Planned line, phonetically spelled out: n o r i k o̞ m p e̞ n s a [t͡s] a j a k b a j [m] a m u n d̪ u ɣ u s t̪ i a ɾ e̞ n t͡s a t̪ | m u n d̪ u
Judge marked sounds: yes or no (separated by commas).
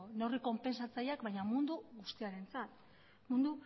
yes, no